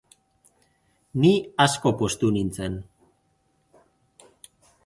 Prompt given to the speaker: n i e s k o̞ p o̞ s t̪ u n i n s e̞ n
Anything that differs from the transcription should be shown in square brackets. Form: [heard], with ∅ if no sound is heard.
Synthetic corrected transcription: n i [a] s k o̞ p o̞ s t̪ u n i n [t͡s] e̞ n